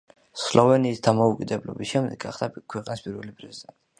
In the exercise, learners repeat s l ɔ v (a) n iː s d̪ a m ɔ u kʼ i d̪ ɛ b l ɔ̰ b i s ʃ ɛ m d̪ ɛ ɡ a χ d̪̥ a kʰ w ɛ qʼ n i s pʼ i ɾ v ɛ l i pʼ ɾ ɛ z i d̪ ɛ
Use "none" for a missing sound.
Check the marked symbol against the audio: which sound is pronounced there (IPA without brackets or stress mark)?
ɛ